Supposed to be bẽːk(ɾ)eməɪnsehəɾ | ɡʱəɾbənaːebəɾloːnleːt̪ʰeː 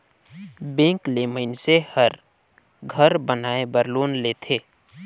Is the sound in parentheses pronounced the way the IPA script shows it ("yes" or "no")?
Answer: no